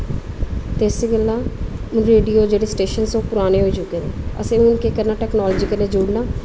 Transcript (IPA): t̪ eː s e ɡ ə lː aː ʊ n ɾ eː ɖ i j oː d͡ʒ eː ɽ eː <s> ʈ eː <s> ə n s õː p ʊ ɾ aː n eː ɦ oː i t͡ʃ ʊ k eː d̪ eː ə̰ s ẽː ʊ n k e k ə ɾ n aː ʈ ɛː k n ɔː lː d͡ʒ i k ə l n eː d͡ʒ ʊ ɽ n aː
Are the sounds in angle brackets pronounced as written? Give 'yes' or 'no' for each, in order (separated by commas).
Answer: yes, no